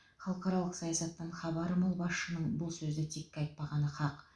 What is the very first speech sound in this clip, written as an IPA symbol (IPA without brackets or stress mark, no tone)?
χ